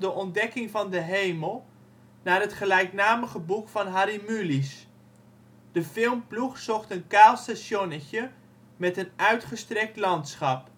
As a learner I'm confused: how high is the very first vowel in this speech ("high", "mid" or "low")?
mid